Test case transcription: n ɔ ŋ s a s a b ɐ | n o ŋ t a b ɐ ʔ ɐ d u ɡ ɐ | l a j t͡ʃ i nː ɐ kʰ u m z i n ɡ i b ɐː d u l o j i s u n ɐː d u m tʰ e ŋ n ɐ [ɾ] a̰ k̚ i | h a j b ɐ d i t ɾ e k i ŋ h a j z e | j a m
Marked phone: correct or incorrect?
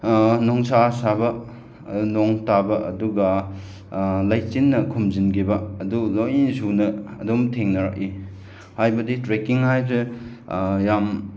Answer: correct